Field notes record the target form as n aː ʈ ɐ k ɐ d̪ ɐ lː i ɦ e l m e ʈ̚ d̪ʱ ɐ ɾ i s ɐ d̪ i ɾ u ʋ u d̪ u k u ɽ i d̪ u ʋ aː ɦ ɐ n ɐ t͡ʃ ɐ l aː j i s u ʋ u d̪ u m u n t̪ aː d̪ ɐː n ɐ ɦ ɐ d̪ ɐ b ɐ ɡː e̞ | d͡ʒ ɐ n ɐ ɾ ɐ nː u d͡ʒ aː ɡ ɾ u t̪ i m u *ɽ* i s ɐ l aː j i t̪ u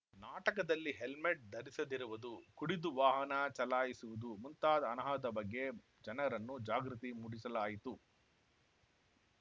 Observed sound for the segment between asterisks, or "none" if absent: ɽ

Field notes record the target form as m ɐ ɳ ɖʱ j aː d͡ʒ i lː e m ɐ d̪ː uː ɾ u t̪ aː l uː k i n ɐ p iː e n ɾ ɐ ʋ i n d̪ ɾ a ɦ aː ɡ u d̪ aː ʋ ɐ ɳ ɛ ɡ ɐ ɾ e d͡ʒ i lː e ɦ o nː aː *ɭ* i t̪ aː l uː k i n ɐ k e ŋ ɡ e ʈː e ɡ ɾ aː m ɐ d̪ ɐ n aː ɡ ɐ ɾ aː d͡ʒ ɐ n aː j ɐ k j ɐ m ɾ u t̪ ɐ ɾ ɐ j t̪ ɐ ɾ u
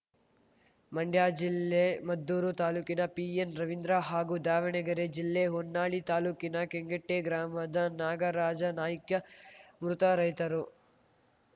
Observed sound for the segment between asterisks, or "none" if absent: ɭ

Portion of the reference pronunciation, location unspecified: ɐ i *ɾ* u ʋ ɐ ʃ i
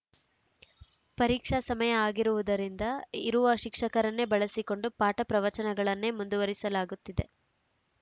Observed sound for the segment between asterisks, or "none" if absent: ɾ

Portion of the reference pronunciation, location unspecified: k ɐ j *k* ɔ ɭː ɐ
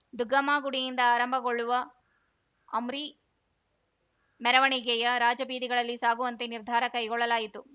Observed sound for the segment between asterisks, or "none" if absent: ɡ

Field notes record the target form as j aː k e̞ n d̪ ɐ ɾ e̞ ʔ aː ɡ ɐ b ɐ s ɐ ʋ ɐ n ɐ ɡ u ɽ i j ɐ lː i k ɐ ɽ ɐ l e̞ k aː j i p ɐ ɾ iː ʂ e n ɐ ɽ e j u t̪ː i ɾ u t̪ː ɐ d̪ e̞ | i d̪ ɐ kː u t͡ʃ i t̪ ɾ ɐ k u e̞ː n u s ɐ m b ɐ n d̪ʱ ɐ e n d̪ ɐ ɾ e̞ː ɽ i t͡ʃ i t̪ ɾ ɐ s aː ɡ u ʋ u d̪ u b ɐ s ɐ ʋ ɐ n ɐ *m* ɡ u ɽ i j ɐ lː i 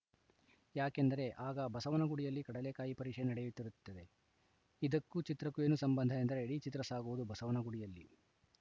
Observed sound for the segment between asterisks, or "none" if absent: none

